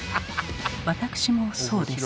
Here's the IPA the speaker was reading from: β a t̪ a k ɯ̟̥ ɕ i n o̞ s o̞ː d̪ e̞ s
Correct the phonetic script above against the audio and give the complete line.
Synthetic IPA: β a t̪ a k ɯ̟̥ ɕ i m o̞ s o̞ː d̪ e̞ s